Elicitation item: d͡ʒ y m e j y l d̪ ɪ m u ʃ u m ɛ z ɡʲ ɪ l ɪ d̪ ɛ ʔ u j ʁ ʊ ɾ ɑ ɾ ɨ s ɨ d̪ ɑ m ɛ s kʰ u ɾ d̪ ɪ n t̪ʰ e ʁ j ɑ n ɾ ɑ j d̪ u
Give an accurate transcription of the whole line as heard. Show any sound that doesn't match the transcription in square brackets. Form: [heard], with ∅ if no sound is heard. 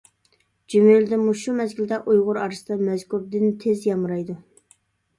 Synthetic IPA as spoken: d͡ʒ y m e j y l d̪ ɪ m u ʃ u m ɛ z ɡʲ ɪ l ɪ d̪ ɛ ʔ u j ʁ ʊ ɾ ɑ ɾ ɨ s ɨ d̪ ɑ m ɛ [z] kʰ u ɾ d̪ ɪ n t̪ʰ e [z] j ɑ [m] ɾ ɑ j d̪ u